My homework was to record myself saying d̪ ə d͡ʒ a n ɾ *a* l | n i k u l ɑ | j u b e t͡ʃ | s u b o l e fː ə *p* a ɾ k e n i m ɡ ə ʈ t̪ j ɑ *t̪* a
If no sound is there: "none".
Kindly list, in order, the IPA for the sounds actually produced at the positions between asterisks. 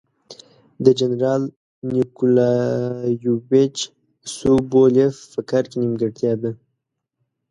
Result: ɑ, k, d̪

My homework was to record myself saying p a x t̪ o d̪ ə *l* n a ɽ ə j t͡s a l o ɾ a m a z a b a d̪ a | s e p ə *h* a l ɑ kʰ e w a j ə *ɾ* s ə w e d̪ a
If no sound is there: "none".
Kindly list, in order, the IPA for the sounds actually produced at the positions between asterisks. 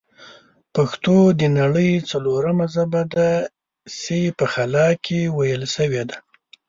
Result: none, x, l

